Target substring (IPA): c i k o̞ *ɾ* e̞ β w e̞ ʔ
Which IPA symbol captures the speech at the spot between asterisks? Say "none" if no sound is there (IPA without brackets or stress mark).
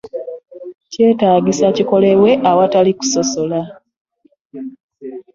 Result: l